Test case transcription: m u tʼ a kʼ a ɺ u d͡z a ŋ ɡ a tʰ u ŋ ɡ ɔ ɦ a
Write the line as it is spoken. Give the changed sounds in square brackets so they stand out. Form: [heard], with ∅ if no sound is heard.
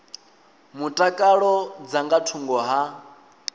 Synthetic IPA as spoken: m u tʼ a kʼ a ɺ [ɔ] d͡z a ŋ ɡ a tʰ u ŋ ɡ ɔ ɦ a